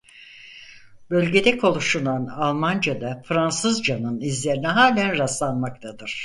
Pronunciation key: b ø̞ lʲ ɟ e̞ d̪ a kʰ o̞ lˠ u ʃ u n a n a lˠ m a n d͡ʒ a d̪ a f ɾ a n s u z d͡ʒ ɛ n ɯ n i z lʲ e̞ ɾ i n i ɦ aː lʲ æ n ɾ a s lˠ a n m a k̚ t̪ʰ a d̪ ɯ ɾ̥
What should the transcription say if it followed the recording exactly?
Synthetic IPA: b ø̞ lʲ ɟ e̞ d̪ ɛ kʰ o̞ lˠ u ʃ u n a n a lˠ m a n d͡ʒ a d̪ a f ɾ a n s ɯ z d͡ʒ a n ɯ n i z lʲ e̞ ɾ i n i ɦ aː lʲ æ n ɾ a s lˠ a n m a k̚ t̪ʰ a d̪ ɯ ɾ̥